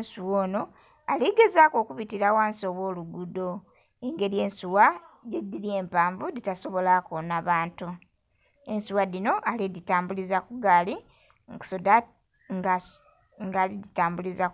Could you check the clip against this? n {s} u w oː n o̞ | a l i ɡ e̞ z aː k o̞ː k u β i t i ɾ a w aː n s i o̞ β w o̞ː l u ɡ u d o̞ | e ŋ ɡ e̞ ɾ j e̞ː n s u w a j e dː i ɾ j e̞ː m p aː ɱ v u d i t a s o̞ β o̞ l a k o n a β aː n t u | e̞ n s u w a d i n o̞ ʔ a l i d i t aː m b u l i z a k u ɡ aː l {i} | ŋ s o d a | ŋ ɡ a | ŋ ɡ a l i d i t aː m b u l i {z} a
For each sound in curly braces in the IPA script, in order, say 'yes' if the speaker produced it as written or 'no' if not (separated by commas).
yes, yes, yes